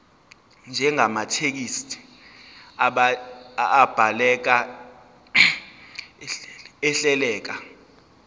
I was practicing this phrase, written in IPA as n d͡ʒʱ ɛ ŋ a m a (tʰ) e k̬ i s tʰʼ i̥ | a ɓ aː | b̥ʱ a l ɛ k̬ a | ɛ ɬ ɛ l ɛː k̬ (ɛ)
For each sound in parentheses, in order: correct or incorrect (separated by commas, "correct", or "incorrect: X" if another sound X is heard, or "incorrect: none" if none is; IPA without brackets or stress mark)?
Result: correct, incorrect: a